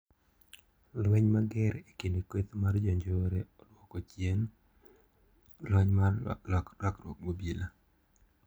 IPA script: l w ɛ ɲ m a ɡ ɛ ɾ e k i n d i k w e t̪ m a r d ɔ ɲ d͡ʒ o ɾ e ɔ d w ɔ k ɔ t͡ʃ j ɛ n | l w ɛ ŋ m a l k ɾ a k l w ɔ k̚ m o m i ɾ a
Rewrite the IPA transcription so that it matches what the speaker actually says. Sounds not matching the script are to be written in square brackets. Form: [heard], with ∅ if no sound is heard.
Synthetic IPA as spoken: l w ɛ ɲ m a ɡ ɛ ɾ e k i n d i k w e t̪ m a r [d͡ʒ] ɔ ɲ d͡ʒ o ɾ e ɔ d w ɔ k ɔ t͡ʃ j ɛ n | l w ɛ [ɲ] m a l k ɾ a k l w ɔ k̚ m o [b] i [l] a

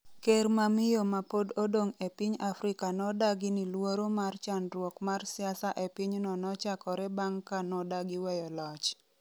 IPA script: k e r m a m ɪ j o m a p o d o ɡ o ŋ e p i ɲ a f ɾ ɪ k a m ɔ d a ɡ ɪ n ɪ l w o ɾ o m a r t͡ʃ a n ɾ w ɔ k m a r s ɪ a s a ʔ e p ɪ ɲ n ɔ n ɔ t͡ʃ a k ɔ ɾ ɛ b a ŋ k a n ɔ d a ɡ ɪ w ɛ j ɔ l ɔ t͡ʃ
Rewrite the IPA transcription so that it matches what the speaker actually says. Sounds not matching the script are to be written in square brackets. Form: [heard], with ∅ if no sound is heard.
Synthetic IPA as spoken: k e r m a m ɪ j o m a p o d o [d] o ŋ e p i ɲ a f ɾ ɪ k a [n] ɔ d a ɡ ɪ n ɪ l w o ɾ o m a r t͡ʃ a n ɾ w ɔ k m a r s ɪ a s a ʔ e p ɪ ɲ n ɔ n ɔ t͡ʃ a k ɔ ɾ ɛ b a ŋ k a n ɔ d a ɡ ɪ w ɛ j ɔ l ɔ t͡ʃ

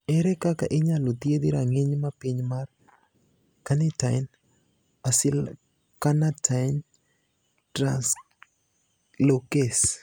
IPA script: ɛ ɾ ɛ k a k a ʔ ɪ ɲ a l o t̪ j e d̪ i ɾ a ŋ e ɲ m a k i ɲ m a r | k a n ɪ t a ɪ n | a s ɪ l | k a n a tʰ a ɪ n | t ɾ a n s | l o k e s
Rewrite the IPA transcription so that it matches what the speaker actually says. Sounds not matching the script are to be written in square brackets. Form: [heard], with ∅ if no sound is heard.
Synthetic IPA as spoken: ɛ ɾ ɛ k a k a ʔ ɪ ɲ a l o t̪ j e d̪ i ɾ a ŋ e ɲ m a [p] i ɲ m a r | k a n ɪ t a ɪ n | a s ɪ l | k a n a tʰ a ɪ n | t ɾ a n s | l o k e s

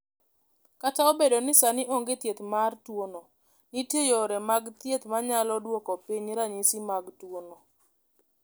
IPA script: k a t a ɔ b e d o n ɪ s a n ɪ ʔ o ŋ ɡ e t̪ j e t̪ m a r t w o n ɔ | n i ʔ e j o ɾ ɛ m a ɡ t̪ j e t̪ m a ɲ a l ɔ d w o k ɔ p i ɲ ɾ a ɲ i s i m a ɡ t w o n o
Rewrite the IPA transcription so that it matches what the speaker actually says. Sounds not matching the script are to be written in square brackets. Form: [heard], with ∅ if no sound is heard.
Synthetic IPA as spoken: k a t a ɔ b e d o n ɪ s a n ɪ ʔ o ŋ ɡ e t̪ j e t̪ m a r t w o n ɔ | n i [t] e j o ɾ ɛ m a ɡ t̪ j e t̪ m a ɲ a l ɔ d w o k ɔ p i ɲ ɾ a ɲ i s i m a ɡ t w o n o

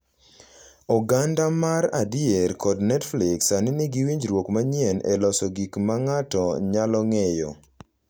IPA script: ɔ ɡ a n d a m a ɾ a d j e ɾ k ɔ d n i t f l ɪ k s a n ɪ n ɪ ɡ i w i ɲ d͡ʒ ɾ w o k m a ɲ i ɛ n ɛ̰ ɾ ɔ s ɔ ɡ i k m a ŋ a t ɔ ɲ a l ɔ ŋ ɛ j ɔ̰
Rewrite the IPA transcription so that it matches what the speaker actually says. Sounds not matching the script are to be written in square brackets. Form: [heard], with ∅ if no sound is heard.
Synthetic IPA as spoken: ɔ ɡ a n d a m a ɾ a d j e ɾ k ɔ d n [ɛ] t f l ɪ k s a n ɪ n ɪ ɡ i w i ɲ d͡ʒ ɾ w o k m a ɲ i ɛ n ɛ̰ [l] ɔ s ɔ ɡ i k m a ŋ a t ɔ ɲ a l ɔ ŋ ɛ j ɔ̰

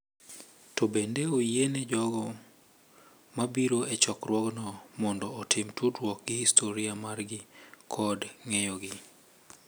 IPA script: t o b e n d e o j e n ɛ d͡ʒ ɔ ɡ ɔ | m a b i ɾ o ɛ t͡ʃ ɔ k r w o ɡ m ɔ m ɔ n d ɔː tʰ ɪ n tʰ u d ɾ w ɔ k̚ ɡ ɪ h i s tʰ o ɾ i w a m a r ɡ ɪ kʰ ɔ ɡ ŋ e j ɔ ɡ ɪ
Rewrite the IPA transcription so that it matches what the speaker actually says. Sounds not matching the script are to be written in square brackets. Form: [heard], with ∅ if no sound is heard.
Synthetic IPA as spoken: t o b e n d e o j e n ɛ d͡ʒ ɔ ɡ ɔ | m a b i ɾ o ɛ t͡ʃ ɔ k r w [ɔ] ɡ [n] ɔ m ɔ n d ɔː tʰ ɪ [m] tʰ u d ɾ w ɔ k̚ ɡ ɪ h i s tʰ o ɾ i [∅] a m a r ɡ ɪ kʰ ɔ [d] ŋ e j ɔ ɡ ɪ

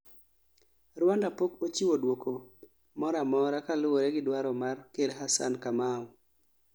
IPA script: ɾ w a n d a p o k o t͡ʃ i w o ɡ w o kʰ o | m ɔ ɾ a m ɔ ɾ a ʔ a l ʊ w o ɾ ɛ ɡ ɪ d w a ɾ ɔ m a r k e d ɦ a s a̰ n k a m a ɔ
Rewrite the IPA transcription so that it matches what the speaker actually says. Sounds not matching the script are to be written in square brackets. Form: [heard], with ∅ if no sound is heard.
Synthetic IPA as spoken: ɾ w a n d a p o k o t͡ʃ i w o [d] w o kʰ o | m ɔ ɾ a m ɔ ɾ a [k] a l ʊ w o ɾ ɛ ɡ ɪ d w a ɾ ɔ m a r k e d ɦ a s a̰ n k a m a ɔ

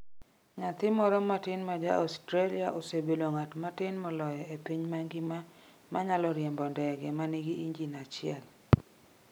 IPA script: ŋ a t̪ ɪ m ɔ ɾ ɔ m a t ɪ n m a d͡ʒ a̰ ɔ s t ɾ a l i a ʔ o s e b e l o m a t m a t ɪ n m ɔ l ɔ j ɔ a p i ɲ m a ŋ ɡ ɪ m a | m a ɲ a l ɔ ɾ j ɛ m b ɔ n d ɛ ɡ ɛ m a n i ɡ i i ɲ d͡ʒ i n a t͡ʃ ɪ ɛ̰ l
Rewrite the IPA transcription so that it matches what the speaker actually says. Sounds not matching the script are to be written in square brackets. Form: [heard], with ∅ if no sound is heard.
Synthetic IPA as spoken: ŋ a t̪ ɪ m ɔ ɾ ɔ m a t ɪ n m a d͡ʒ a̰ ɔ s t ɾ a l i a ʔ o s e b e l o [ŋ] a t m a t ɪ n m ɔ l ɔ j ɔ [e] p i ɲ m a ŋ ɡ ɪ m a | m a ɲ a l ɔ ɾ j ɛ m b ɔ n d ɛ ɡ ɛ m a n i ɡ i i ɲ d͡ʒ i n a t͡ʃ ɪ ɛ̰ l

